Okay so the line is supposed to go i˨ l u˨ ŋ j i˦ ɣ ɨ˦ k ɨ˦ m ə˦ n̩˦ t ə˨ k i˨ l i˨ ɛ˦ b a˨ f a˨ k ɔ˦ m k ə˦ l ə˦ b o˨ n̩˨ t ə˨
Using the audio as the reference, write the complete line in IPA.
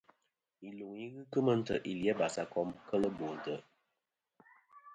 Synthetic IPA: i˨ l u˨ ŋ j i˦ ɣ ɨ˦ k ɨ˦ m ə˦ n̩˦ t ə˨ ʔ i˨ l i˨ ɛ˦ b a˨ s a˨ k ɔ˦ m k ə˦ l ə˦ b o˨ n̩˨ t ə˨